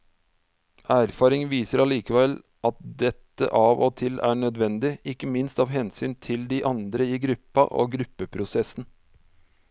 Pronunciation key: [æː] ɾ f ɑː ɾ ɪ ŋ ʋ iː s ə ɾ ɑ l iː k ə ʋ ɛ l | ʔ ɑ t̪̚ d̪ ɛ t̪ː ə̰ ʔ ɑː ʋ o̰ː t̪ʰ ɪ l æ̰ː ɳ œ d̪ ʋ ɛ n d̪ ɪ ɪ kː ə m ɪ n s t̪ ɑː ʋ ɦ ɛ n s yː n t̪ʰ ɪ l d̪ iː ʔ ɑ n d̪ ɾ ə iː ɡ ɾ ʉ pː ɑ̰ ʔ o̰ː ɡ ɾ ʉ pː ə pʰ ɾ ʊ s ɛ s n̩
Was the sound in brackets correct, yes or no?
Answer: yes